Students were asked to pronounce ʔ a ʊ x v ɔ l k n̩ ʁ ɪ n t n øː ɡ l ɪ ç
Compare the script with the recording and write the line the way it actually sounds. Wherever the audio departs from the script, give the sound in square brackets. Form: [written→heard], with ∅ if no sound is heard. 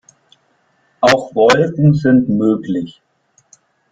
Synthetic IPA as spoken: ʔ a ʊ x v ɔ l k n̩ [ʁ→z] ɪ n t [n→m] øː [ɡ→k] l ɪ ç